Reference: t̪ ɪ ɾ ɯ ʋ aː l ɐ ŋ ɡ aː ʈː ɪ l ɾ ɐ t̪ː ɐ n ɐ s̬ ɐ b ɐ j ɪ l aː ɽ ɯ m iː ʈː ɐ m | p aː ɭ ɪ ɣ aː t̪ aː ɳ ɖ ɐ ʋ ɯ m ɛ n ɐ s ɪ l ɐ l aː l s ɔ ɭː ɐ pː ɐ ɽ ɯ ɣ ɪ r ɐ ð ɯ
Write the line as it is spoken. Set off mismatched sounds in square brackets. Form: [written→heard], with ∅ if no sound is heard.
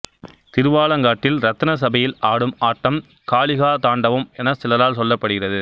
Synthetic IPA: t̪ ɪ ɾ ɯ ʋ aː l ɐ ŋ ɡ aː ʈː ɪ l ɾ ɐ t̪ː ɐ n ɐ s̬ ɐ b ɐ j ɪ l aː ɽ ɯ m [iː→aː] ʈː ɐ m | [p→k] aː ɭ ɪ ɣ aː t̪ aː ɳ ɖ ɐ ʋ ɯ m ɛ n ɐ s ɪ l ɐ l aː l s ɔ [ɭː→lː] ɐ pː ɐ ɽ ɯ ɣ ɪ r ɐ ð ɯ